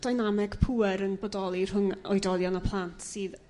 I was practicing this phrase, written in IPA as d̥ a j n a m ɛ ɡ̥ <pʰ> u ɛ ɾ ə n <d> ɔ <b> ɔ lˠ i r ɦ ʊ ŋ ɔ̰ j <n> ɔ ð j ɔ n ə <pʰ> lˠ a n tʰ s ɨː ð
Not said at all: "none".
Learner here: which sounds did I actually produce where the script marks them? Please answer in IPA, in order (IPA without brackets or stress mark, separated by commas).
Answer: pʰ, b, d, d, pʰ